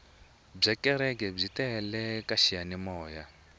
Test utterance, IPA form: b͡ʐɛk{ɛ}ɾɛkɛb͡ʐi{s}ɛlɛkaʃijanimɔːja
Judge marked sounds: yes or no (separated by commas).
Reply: yes, no